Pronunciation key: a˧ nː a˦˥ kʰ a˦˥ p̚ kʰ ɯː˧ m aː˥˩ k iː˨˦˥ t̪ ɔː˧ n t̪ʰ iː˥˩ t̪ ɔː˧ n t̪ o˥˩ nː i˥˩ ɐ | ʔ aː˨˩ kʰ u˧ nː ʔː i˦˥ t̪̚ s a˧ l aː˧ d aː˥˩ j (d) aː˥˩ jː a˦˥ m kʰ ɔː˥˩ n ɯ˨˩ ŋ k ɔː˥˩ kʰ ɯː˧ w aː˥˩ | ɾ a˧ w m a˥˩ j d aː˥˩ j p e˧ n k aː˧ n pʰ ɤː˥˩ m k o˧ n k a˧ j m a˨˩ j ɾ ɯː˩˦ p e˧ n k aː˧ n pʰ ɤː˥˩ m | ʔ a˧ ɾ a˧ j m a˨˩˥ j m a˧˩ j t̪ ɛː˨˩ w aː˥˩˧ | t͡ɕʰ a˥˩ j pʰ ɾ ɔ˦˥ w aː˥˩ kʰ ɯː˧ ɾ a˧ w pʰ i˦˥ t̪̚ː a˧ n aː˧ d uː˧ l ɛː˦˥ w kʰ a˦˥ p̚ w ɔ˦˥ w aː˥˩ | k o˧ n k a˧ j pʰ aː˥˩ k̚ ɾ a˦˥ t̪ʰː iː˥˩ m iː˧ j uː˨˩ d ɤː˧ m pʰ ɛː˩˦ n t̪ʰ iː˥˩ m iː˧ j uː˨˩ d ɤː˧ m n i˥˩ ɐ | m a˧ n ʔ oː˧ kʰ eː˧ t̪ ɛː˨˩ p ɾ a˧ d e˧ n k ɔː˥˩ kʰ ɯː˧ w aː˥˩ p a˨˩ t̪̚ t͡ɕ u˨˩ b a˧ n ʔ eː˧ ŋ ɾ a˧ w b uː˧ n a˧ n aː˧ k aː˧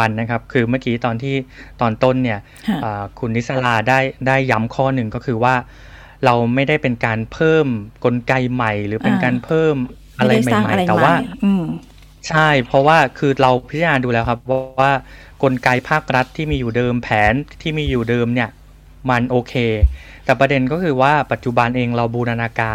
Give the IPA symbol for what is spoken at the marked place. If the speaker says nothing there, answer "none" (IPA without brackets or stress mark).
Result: d